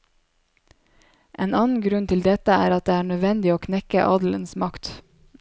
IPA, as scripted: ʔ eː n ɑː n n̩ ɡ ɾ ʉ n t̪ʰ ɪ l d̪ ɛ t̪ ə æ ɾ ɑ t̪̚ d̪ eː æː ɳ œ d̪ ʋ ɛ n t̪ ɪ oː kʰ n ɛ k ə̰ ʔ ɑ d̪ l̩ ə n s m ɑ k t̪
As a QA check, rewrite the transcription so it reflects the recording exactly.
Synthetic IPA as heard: ʔ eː n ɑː n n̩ ɡ ɾ ʉ n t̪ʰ ɪ l d̪ ɛ t̪ ə æː ɾ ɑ t̪̚ d̪ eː æː ɳ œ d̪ ʋ ɛ n d̪ ɪ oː kʰ n ɛ k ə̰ ʔ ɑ d̪ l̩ ə n s m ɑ k t̪